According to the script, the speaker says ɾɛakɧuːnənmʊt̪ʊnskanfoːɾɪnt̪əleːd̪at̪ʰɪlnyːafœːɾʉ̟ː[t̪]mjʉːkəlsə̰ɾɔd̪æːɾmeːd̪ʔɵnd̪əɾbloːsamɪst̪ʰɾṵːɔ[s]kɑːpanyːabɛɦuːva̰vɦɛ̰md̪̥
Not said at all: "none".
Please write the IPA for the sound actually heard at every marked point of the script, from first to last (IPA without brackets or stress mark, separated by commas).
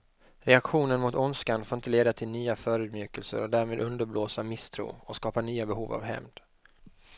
d̪, s